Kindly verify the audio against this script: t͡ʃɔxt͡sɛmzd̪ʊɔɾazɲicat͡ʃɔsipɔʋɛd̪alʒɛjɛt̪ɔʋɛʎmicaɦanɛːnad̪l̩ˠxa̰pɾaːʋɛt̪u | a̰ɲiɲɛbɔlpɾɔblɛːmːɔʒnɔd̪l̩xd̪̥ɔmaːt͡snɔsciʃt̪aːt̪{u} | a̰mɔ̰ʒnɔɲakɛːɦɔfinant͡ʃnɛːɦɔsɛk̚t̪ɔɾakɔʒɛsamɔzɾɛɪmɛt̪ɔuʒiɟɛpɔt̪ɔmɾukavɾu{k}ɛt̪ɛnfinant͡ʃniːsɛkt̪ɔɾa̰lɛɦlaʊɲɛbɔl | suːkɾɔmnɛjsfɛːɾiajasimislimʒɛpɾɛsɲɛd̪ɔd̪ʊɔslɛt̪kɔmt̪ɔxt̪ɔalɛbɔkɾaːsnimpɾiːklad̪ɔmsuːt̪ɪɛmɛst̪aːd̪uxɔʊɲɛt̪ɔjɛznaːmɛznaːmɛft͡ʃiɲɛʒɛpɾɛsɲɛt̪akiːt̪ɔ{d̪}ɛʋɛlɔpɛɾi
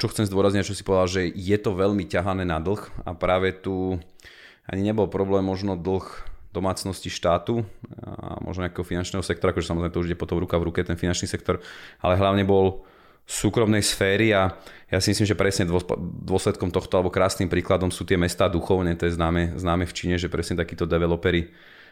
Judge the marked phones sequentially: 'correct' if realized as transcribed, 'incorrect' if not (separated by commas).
correct, correct, correct